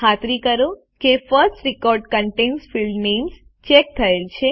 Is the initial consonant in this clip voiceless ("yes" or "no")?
yes